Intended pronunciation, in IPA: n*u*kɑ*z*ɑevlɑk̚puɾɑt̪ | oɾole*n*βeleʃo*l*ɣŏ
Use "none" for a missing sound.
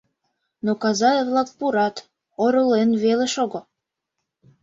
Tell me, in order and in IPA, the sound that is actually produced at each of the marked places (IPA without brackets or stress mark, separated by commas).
o, z, n, none